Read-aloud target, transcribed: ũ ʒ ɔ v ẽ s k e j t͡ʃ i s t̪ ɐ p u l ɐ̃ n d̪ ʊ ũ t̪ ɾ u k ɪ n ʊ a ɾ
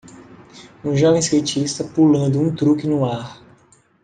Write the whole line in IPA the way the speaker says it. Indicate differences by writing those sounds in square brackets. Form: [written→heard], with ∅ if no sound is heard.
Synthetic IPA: ũ ʒ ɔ v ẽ s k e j t͡ʃ i s t̪ ɐ p u l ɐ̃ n d̪ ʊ ũ t̪ ɾ u k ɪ n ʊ a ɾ